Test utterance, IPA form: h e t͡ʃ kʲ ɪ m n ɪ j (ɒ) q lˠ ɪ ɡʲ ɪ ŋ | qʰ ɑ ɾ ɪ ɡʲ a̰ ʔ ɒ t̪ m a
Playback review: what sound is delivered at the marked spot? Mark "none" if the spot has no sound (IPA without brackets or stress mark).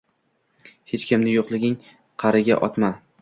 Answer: o